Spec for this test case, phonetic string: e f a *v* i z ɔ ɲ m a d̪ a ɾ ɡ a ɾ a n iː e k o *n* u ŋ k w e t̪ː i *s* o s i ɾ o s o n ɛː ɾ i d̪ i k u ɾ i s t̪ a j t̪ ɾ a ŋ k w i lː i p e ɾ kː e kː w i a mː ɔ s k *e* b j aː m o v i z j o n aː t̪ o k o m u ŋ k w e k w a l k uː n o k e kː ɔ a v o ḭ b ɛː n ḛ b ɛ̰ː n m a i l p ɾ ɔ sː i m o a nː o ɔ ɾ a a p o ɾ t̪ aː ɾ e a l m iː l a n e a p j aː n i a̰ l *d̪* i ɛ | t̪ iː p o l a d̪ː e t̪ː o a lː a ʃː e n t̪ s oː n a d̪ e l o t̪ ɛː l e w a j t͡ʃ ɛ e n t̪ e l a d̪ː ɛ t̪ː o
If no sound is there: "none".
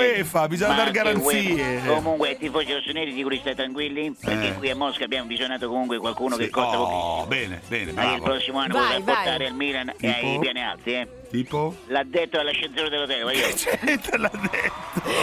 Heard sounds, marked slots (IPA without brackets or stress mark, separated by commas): b, m, f, a, t̪